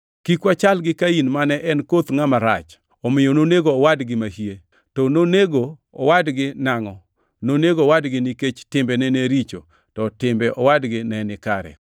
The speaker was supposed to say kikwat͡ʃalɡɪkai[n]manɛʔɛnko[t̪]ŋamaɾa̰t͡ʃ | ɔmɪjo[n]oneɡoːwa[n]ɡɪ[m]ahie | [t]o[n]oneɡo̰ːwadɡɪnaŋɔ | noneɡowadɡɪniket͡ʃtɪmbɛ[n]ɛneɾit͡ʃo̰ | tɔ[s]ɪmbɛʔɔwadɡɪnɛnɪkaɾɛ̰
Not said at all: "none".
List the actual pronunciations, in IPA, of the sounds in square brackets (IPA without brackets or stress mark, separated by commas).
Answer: n, t̪, n, d, m, t, n, n, t